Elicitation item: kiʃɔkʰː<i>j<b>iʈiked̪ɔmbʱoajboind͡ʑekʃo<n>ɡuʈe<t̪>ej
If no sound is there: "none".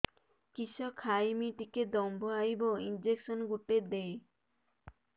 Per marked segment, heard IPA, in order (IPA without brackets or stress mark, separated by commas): a, m, n, d̪